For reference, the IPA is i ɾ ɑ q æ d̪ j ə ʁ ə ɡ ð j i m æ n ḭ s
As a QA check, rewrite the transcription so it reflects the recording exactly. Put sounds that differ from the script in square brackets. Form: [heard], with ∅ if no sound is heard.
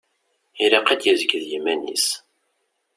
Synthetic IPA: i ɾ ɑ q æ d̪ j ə [z] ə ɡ ð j i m æ n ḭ s

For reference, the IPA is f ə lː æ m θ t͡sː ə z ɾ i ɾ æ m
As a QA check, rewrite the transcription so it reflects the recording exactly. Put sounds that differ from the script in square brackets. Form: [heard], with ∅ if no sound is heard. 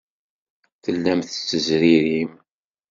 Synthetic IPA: [θ] ə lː æ m θ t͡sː ə z ɾ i ɾ [i] m

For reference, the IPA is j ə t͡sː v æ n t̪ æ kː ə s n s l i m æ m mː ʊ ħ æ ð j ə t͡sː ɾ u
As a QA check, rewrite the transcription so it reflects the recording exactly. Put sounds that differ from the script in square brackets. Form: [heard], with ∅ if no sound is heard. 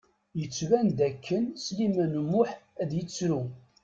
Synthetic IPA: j ə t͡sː v æ n [d̪] æ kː ə [∅] n s l i m æ [n] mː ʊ ħ æ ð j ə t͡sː ɾ u

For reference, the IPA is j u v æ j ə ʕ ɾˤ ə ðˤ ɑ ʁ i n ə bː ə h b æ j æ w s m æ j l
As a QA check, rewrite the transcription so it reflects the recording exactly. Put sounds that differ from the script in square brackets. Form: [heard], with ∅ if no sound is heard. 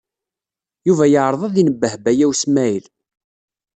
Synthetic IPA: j u v æ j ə ʕ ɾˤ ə ðˤ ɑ [ð] i n ə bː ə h b æ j æ w s m æ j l

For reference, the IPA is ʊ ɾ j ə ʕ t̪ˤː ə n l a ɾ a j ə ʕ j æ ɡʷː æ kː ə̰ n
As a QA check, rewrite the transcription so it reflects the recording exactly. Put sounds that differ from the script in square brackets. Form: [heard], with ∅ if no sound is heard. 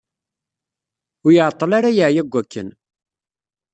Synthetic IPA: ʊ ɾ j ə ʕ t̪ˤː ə [∅] l a ɾ a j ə ʕ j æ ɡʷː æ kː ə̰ n

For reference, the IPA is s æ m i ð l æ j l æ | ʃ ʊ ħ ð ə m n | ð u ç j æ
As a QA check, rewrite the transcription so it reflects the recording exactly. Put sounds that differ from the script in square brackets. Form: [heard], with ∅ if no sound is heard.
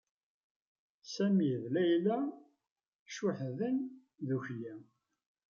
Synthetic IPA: s æ m i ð l æ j l æ | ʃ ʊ ħ ð ə [∅] n | ð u ç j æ

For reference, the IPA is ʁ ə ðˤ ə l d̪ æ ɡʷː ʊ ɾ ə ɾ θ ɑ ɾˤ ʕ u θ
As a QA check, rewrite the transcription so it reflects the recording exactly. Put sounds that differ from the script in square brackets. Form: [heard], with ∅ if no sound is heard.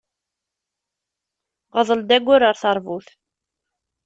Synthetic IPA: ʁ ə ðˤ ə l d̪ æ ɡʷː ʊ ɾ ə ɾ θ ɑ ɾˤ [v] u θ

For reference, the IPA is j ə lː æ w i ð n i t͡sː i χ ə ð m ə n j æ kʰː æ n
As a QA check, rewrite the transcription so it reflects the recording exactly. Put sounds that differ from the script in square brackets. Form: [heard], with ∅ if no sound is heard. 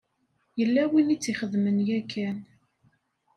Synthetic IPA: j ə lː æ w i [∅] n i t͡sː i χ ə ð m ə n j æ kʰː æ n

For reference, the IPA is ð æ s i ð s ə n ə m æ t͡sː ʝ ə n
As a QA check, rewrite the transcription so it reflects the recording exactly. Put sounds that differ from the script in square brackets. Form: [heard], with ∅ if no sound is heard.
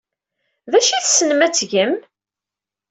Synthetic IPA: ð æ [ʃ] i [θ] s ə n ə m æ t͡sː ʝ ə [m]

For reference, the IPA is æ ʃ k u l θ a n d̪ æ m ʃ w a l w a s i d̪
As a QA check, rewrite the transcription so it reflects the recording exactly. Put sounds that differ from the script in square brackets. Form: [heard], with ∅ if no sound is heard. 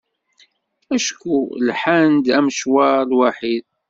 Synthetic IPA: æ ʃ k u l [ħ] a n d̪ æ m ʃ w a l w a [ħ] i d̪

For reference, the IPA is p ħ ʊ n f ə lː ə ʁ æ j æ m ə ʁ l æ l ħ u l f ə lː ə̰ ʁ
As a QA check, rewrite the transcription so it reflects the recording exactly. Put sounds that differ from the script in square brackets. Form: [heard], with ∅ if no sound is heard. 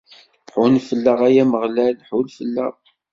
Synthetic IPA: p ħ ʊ n f ə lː ə ʁ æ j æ m ə ʁ l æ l ħ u l f ə lː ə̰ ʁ

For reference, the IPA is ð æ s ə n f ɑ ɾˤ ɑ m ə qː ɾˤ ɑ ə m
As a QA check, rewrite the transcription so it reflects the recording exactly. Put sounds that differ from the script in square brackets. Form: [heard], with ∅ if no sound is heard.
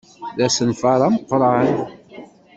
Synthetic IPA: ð æ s ə n f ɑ ɾˤ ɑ m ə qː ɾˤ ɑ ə [n]

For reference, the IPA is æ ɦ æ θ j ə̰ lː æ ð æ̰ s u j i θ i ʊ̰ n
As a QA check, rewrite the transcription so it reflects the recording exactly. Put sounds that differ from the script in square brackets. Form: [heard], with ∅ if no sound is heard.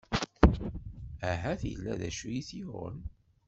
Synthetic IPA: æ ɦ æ θ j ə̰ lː æ ð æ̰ [ʃ] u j i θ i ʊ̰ n

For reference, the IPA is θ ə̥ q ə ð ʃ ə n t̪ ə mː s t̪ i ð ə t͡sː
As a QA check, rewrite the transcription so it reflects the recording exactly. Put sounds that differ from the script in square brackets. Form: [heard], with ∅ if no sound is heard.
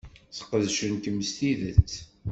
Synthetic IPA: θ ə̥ q ə ð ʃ ə n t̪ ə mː s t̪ i ð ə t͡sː

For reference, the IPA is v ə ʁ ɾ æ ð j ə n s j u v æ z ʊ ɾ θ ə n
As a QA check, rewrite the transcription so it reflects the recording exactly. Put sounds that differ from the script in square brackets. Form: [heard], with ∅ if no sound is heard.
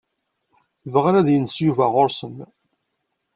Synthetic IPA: v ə ʁ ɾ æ ð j ə n s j u v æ [ʁ] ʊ ɾ [s] ə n

